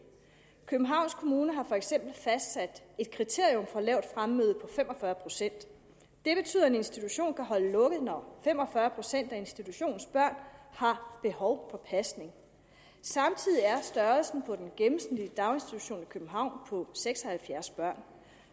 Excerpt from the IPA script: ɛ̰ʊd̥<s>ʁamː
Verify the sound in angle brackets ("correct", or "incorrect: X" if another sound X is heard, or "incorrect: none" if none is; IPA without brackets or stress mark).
incorrect: f